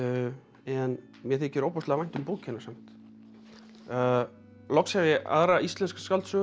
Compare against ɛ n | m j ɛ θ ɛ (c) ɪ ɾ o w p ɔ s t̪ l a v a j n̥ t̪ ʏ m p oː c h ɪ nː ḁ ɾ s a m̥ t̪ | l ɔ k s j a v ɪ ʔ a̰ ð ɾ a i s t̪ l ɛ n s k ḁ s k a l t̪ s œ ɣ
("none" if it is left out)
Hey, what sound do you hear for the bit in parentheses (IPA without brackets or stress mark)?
c